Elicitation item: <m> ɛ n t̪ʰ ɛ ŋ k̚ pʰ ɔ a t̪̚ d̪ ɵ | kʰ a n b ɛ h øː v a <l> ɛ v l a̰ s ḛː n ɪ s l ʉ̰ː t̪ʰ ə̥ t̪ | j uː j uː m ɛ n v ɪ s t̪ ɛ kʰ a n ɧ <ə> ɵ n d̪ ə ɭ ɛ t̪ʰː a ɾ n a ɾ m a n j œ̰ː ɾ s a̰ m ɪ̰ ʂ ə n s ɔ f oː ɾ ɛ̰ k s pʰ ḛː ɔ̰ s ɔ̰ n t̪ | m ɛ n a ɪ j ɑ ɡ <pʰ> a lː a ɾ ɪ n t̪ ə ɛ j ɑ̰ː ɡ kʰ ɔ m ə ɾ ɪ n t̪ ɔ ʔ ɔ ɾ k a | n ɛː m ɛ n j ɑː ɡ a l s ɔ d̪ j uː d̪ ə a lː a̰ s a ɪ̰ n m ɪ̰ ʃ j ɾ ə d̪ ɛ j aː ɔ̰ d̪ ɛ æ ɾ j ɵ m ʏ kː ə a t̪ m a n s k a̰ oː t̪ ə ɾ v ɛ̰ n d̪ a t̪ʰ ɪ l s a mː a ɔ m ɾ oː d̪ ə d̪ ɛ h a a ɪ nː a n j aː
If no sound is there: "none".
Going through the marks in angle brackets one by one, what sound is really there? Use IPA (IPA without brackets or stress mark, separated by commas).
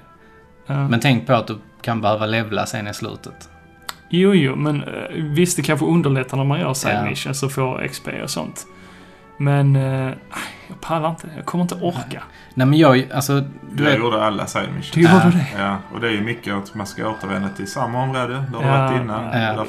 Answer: m, l, ə, pʰ